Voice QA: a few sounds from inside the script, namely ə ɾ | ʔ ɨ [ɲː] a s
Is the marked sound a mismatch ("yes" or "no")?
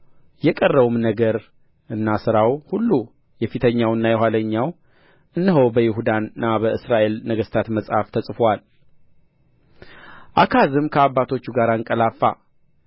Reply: yes